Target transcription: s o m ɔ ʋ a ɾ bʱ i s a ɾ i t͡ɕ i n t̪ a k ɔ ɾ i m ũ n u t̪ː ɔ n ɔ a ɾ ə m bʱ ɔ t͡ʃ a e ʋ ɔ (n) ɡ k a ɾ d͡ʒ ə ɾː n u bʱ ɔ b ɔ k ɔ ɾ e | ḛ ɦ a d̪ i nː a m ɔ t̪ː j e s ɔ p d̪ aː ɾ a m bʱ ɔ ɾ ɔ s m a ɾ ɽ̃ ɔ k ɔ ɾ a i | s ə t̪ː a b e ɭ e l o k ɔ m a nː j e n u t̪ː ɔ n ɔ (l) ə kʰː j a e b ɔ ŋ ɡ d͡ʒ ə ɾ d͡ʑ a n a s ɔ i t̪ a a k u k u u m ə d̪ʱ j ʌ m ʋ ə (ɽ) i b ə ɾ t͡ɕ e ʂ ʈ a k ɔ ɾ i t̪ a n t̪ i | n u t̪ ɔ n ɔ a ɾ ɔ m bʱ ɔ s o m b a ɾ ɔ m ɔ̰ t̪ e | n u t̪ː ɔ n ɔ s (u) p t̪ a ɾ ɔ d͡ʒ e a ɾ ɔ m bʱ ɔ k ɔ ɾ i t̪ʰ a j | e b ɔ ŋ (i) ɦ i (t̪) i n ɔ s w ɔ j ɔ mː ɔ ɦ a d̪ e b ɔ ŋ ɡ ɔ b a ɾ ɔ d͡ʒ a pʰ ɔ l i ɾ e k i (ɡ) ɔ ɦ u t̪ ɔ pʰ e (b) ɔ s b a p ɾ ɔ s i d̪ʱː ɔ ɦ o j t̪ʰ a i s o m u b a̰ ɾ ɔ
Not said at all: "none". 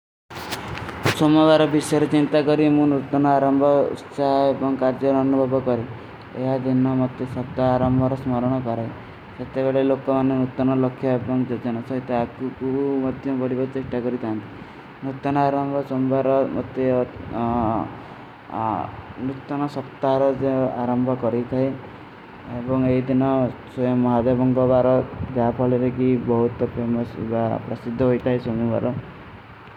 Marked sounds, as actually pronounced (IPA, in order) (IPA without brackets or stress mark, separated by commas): ŋ, l, ɽ, ɔ, e, d̪, b, m